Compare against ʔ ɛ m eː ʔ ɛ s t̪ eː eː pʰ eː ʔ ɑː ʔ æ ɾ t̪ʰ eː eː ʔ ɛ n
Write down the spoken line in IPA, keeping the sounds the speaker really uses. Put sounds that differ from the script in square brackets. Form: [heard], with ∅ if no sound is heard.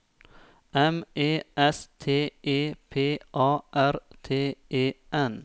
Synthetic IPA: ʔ ɛ m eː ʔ ɛ s [t̪ʰ] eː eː pʰ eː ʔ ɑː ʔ æ ɾ t̪ʰ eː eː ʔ ɛ n